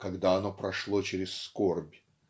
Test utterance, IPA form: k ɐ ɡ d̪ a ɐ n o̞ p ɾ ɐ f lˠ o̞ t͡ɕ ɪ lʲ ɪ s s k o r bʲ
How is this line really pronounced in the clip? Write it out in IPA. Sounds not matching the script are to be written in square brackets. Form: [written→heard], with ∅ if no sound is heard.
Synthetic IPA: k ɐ ɡ d̪ a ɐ n o̞ p ɾ ɐ [f→ʂ] lˠ o̞ t͡ɕ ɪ [lʲ→ɾʲ] ɪ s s k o r bʲ